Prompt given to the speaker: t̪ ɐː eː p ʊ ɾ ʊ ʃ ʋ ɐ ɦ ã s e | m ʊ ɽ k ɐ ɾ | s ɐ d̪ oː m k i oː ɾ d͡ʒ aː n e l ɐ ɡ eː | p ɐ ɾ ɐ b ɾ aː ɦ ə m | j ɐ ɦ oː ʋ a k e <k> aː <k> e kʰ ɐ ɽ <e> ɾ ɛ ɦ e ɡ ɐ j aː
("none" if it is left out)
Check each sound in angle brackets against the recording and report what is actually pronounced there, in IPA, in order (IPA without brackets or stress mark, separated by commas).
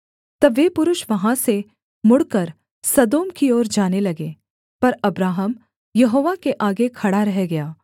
ʔ, ɡ, a